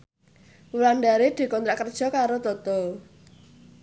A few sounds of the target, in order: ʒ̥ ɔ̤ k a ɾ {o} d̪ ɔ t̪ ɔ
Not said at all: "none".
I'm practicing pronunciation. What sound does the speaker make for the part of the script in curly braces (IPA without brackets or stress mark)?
o